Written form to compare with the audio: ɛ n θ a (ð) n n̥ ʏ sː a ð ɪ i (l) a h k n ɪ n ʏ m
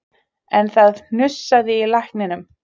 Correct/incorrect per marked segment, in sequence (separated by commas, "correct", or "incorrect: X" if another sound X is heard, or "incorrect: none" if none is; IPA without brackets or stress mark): correct, correct